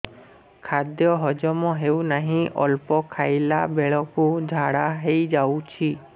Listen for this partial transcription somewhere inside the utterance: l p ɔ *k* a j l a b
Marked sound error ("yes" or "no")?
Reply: yes